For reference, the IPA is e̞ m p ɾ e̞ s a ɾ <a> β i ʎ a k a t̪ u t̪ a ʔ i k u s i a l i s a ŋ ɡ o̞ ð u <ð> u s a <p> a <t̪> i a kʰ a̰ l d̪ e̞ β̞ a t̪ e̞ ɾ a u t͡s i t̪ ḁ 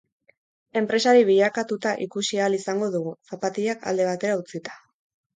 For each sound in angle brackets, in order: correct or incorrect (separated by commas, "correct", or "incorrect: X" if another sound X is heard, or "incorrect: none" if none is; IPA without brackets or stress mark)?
incorrect: i, incorrect: ɣ, correct, correct